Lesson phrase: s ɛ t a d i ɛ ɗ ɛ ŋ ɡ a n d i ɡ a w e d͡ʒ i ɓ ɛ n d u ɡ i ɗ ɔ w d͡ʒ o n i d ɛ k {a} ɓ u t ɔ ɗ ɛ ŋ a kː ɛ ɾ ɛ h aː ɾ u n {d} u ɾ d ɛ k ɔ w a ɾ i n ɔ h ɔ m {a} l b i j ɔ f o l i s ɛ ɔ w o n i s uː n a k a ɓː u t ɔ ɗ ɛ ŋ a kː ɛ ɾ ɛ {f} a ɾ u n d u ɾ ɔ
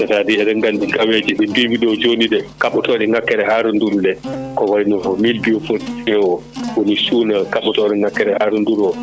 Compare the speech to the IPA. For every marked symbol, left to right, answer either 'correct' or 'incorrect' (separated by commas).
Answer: correct, correct, incorrect, incorrect